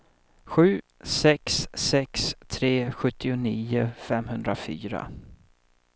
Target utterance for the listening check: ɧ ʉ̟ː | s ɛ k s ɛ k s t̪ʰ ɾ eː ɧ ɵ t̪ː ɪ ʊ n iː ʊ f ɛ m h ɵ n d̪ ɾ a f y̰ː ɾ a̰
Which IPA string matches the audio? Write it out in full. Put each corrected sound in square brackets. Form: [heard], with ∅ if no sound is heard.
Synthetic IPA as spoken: ɧ ʉ̟ː | s ɛ k s ɛ k s t̪ʰ ɾ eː ɧ ɵ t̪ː ɪ ʊ n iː ʊ f ɛ m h ɵ n d̪ ɾ a f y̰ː ɾ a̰